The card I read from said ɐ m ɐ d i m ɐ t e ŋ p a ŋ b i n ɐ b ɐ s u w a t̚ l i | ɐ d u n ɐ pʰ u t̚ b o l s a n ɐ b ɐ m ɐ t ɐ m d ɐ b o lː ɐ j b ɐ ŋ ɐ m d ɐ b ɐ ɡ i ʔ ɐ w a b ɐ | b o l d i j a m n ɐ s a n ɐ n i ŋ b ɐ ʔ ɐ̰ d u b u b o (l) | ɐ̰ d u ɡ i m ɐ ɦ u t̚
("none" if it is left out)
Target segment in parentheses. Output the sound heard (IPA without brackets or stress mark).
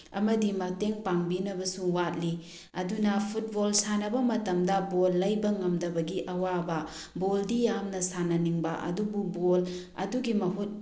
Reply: l